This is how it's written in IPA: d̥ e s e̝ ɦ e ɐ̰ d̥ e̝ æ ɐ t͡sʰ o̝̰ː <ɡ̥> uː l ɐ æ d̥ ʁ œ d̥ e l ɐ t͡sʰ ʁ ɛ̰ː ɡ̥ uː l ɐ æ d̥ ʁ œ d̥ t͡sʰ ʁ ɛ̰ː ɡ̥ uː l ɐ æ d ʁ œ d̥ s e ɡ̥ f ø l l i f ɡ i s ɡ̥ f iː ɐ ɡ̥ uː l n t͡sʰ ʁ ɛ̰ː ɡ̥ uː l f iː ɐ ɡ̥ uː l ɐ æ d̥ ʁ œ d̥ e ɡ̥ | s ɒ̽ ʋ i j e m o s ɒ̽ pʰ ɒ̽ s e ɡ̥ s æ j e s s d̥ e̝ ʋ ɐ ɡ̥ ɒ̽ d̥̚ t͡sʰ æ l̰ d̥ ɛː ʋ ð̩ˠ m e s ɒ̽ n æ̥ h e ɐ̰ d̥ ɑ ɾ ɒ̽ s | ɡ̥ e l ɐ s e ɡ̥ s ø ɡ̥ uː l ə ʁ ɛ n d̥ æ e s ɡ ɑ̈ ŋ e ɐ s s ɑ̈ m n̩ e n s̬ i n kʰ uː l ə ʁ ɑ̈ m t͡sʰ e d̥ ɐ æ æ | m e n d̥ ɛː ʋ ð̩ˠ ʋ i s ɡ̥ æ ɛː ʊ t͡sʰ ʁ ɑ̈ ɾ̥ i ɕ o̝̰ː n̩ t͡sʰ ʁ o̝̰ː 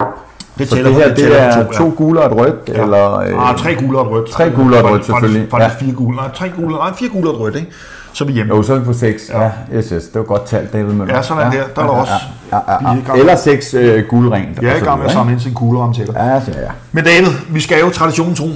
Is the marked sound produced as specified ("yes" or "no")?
yes